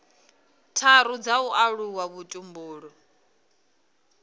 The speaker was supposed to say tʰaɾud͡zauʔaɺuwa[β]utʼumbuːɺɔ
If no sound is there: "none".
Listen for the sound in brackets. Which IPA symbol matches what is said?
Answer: β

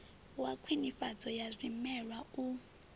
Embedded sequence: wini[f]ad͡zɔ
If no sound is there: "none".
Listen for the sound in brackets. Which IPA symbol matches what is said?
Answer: f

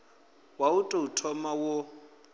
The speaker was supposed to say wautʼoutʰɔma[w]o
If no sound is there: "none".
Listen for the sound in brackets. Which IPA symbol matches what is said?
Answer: w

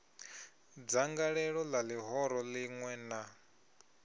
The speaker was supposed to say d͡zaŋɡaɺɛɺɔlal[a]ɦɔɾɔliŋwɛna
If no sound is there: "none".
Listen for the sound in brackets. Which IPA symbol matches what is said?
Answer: i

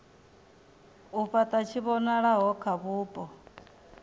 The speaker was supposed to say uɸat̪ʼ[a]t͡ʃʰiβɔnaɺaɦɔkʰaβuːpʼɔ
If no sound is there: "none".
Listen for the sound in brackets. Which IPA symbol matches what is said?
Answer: a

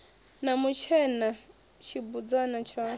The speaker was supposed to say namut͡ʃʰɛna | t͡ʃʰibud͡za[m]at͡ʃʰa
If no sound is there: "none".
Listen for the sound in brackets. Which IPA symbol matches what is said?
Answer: n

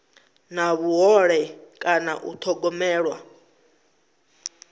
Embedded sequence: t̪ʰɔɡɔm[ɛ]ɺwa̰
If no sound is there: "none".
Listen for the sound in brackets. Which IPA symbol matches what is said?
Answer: ɛː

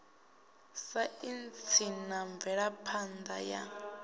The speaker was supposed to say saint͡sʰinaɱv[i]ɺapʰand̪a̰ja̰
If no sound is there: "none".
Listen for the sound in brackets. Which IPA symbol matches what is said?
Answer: ɛ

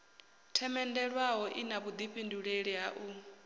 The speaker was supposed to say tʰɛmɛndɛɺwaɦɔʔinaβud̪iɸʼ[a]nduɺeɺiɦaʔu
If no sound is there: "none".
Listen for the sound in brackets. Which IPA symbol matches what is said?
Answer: i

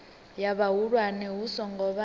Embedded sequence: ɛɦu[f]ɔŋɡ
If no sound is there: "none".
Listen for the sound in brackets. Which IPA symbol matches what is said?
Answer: s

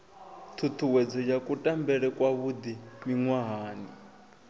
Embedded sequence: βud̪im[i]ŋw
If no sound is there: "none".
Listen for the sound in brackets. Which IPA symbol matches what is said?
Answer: i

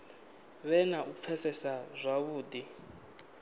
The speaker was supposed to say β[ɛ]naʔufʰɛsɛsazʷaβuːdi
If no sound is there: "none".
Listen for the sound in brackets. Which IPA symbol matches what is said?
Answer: ɛ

